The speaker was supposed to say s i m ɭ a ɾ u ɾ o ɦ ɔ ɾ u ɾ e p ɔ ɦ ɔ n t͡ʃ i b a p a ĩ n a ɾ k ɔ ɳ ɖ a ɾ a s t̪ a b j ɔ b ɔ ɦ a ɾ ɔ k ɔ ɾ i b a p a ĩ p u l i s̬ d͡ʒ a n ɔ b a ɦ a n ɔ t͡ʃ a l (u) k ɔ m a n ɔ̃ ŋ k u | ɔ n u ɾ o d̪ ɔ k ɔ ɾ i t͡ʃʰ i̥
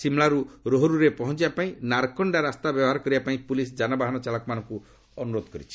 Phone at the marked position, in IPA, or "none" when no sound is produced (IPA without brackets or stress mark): ɔ